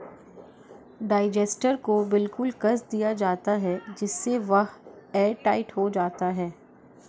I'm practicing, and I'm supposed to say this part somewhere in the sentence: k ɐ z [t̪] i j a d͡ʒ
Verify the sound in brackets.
incorrect: d̪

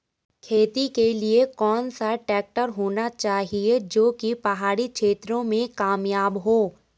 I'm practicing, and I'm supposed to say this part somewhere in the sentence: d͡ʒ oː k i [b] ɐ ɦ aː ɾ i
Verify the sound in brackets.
incorrect: p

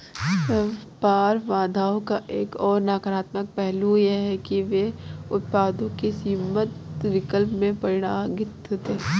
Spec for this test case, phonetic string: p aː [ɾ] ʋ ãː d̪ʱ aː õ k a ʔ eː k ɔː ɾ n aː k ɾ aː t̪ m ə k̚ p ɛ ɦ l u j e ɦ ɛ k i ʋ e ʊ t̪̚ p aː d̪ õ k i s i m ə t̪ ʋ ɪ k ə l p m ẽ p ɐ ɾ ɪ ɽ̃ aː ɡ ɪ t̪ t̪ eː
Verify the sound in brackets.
correct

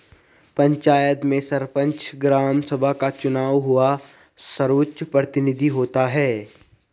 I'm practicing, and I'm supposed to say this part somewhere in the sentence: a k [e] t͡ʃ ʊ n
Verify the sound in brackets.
incorrect: a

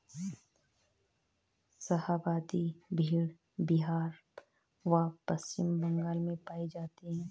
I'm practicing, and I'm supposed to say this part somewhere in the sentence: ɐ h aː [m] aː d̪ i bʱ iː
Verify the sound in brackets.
incorrect: b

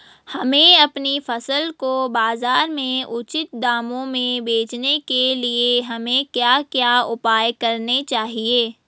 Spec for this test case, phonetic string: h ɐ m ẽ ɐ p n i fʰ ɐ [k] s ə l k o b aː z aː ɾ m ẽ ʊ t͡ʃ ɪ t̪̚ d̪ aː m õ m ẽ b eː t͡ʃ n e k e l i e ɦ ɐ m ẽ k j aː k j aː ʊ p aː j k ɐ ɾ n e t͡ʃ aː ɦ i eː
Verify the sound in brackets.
incorrect: none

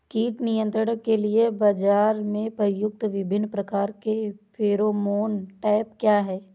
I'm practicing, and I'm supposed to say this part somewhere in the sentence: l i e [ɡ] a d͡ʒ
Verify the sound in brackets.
incorrect: b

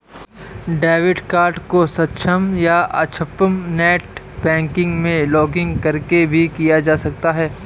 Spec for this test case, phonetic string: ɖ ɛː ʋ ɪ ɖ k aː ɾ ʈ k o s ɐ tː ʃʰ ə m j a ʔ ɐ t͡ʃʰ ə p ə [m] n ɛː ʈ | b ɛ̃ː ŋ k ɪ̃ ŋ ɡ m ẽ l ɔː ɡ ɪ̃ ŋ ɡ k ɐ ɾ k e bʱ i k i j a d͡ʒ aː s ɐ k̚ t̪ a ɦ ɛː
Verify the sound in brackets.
correct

